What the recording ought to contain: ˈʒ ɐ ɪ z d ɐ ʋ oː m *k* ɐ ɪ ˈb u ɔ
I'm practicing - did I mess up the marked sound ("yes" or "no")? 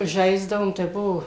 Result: yes